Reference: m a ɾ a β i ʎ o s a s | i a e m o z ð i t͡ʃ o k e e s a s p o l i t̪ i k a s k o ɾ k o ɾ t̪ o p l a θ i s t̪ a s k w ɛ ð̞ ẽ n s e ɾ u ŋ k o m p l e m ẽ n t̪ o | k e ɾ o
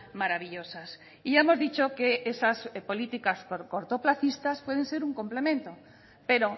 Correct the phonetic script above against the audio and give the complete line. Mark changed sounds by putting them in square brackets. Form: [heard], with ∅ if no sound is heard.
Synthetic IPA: m a ɾ a β i ʎ o s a s | i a e m o z ð i t͡ʃ o k e e s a s p o l i t̪ i k a s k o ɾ k o ɾ t̪ o p l a θ i s t̪ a s [p] w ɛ ð̞ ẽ n s e ɾ u ŋ k o m p l e m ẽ n t̪ o | [p] e ɾ o